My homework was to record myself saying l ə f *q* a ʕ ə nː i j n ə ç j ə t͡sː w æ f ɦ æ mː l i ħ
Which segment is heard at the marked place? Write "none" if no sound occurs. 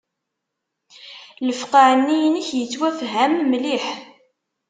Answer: q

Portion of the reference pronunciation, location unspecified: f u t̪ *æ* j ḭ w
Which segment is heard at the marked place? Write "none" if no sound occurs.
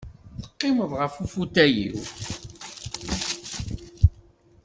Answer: æ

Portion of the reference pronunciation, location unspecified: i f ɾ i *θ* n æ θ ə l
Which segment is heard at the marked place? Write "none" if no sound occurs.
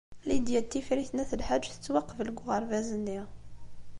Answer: θ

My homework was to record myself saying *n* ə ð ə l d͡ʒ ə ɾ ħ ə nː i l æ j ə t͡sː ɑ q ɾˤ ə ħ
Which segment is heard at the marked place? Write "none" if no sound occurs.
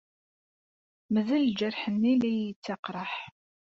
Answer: m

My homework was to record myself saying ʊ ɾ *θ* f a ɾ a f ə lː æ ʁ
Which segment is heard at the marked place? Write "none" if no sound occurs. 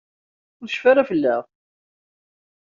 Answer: ʃ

